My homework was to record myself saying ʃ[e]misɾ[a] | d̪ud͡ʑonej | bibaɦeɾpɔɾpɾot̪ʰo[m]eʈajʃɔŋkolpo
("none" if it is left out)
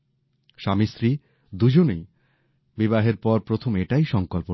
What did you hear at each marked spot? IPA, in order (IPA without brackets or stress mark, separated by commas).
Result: a, i, m